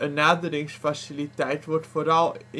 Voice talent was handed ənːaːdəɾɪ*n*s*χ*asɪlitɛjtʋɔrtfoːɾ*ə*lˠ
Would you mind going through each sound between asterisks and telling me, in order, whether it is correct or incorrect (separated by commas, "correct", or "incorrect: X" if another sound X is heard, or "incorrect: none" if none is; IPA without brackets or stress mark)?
incorrect: ŋ, incorrect: f, incorrect: ɑ